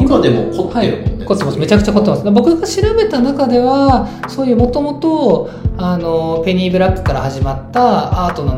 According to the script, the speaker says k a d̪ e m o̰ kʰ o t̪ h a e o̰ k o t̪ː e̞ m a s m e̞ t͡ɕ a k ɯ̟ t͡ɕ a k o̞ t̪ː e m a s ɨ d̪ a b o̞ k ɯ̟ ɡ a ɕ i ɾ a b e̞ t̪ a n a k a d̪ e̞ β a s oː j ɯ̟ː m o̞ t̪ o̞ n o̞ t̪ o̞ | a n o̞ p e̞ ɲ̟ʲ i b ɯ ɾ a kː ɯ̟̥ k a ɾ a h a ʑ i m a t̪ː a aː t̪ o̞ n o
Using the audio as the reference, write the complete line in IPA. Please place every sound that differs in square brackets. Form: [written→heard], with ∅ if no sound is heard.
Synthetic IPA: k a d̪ e m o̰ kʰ o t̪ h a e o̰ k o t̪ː e̞ m a s m e̞ t͡ɕ a k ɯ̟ t͡ɕ a k o̞ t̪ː e m a s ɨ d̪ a b o̞ k ɯ̟ ɡ a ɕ i ɾ a b e̞ t̪ a n a k a d̪ e̞ β a s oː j ɯ̟ː m o̞ t̪ o̞ [n→m] o̞ t̪ o̞ | a n o̞ p e̞ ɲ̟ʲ i b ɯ ɾ a kː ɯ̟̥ k a ɾ a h a ʑ i m a t̪ː a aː t̪ o̞ n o